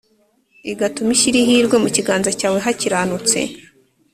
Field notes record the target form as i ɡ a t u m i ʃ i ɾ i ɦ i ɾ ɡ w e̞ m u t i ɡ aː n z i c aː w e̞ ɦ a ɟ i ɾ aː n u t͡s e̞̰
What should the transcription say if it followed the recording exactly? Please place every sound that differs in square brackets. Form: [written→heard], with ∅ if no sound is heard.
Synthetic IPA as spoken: i ɡ a t u m i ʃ i ɾ i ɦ i ɾ ɡ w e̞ m u [t→c] i ɡ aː n z [i→a] c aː w e̞ ɦ a [ɟ→c] i ɾ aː n u t͡s e̞̰